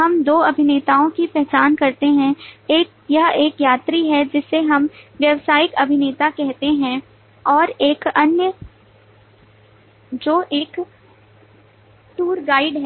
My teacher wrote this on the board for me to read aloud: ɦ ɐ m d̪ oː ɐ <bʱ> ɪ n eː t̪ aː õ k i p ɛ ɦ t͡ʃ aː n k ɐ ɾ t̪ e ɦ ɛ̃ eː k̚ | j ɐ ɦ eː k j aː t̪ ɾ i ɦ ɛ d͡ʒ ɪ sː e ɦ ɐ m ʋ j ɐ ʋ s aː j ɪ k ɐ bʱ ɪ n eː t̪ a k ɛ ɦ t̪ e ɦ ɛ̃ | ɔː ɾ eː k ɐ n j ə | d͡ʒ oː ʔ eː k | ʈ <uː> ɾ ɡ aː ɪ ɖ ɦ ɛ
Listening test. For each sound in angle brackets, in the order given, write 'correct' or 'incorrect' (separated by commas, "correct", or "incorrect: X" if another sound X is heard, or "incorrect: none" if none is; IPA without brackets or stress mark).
correct, correct